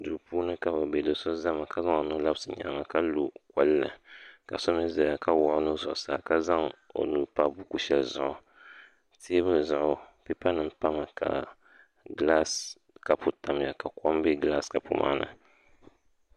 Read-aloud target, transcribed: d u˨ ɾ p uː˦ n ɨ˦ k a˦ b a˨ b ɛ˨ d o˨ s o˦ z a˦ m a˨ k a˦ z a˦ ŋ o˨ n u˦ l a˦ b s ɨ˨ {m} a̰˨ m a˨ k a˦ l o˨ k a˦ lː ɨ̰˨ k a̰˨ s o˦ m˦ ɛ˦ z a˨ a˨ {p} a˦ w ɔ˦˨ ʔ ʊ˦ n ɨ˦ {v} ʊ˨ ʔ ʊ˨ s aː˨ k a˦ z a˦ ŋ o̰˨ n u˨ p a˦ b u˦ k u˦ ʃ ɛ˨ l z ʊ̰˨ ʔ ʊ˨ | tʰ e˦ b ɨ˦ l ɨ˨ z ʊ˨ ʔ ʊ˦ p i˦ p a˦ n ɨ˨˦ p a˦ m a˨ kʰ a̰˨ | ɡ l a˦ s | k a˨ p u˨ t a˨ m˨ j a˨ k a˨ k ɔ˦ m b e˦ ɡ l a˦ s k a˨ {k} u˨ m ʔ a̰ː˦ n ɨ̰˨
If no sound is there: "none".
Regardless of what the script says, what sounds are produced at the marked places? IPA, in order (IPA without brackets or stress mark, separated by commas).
ɲ, k, z, p